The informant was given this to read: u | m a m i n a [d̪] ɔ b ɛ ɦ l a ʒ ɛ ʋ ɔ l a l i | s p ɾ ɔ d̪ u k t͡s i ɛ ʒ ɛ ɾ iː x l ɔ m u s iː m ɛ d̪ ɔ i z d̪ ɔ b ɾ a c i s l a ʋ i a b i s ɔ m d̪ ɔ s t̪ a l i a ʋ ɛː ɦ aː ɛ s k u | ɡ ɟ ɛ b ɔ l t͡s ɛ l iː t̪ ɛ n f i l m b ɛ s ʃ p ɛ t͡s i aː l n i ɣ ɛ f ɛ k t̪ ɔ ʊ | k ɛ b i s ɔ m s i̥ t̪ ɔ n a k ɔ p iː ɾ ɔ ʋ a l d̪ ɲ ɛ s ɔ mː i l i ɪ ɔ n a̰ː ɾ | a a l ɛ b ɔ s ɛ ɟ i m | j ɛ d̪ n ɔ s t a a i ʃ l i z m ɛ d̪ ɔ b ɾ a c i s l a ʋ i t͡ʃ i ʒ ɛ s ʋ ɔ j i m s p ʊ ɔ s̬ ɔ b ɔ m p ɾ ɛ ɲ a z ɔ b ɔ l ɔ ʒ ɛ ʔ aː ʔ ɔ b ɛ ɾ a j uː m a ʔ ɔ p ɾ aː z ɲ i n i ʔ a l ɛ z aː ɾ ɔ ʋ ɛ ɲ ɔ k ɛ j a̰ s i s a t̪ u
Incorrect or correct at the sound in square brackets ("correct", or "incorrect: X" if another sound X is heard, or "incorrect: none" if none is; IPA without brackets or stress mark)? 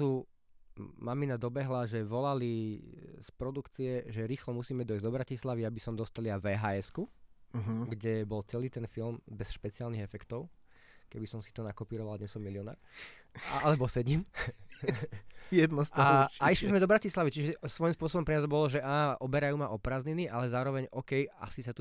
correct